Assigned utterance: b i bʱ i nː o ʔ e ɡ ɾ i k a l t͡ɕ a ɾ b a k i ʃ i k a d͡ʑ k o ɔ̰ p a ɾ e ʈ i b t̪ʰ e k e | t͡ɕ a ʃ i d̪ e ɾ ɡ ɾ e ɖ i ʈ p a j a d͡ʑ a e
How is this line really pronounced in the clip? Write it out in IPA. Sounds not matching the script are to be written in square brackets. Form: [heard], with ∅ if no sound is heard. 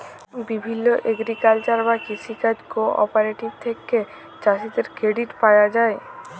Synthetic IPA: b i bʱ i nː o ʔ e ɡ ɾ i k a l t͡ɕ a ɾ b a k i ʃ i k a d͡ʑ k o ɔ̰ p a ɾ e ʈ i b t̪ʰ e k e | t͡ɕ a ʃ i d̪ e ɾ [k] ɾ e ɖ i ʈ p a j a d͡ʑ a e